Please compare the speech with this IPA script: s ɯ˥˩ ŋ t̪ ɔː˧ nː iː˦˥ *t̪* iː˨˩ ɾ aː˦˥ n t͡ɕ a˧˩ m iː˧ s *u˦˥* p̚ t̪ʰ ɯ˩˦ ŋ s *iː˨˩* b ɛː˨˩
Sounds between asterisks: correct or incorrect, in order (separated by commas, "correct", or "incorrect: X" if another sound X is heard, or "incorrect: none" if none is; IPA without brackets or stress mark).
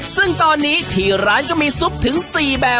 incorrect: t̪ʰ, correct, correct